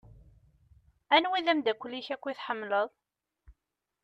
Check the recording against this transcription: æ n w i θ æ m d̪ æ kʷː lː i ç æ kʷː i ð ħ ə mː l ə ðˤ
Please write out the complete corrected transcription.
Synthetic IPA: æ n w i ð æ m d̪ æ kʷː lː i ç æ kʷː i θ ħ ə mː l ə ðˤ